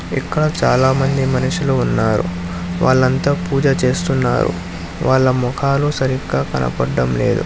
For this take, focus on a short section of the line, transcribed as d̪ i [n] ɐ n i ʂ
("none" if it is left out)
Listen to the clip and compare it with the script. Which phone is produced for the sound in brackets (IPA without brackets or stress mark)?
m